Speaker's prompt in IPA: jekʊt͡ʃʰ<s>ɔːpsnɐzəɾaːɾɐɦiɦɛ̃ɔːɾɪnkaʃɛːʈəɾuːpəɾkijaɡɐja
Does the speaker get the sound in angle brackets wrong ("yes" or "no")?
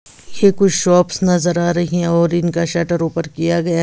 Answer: yes